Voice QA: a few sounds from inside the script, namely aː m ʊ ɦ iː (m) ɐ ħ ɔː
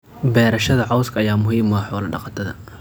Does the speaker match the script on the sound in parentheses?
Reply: yes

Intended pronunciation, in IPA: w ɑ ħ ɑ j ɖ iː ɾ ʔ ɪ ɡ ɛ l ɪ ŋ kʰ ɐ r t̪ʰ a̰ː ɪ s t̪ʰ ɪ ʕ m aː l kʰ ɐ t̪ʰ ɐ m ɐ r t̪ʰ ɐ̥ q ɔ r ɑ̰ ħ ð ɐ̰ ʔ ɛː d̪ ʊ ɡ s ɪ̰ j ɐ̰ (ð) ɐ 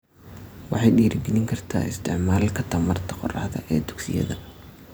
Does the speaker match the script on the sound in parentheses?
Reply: yes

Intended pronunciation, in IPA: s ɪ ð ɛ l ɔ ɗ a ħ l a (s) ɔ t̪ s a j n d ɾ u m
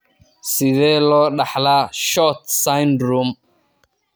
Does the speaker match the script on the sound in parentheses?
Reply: no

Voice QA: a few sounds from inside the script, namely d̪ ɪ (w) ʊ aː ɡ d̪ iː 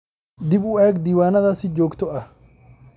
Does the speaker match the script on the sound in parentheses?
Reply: no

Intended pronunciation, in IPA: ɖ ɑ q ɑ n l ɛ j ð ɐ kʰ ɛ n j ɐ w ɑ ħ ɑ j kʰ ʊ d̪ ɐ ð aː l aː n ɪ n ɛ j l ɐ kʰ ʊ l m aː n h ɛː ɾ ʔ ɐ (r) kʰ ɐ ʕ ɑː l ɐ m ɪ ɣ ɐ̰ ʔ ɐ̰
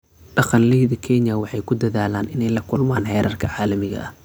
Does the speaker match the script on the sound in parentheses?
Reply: yes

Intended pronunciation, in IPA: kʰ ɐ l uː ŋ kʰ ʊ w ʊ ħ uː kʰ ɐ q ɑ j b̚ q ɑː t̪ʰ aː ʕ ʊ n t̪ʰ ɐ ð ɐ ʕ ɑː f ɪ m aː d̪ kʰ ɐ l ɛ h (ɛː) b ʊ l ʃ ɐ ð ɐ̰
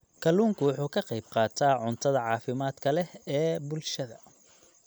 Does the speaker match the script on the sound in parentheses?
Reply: yes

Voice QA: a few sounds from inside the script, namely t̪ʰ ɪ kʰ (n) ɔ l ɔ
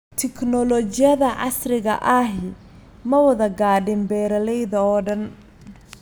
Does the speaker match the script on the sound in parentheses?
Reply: yes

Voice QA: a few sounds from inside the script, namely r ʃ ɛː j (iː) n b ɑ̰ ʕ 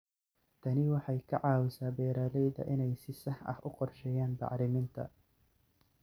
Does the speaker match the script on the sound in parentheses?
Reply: no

